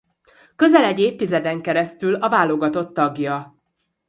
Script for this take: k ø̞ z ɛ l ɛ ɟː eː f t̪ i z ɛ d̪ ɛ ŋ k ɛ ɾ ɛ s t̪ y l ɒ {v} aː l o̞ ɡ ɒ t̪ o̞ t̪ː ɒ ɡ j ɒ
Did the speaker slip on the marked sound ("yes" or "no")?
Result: no